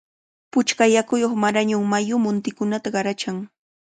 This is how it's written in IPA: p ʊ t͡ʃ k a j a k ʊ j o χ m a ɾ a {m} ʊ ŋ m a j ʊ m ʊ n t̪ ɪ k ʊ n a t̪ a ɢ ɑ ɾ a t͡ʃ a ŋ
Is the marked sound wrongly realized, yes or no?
yes